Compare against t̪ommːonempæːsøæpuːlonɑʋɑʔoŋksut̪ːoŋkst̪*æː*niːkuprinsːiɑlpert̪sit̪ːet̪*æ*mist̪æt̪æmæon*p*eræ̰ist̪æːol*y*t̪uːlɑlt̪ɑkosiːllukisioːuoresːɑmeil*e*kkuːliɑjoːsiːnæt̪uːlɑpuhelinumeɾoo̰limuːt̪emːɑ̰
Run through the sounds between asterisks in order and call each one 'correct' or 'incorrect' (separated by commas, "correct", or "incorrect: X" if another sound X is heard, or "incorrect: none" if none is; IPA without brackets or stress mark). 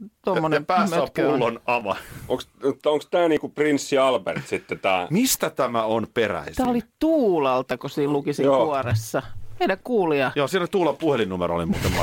correct, incorrect: æː, correct, incorrect: i, incorrect: æ